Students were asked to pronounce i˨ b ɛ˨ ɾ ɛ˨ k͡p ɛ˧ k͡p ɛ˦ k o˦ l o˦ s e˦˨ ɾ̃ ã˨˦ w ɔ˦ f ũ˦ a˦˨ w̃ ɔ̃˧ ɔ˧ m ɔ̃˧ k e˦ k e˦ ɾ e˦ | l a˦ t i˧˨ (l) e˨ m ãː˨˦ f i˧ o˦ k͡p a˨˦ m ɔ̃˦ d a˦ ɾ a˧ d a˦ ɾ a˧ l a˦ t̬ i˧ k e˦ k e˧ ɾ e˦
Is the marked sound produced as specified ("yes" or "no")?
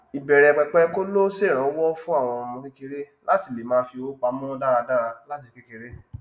yes